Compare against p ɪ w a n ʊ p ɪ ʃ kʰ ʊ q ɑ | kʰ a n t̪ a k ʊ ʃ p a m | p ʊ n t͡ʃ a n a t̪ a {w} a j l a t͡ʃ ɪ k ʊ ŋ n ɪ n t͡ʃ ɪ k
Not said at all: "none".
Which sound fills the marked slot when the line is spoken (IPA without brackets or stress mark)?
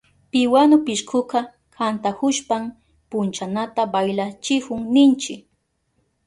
b